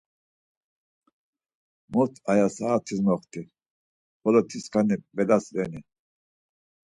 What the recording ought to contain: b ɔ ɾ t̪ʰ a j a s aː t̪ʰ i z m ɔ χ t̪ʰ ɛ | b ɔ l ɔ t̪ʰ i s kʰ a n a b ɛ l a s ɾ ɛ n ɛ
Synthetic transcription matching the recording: m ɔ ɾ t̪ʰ a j a s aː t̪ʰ i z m ɔ χ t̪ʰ i | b ɔ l ɔ t̪ʰ i s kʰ a n i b ɛ l a s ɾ ɛ n i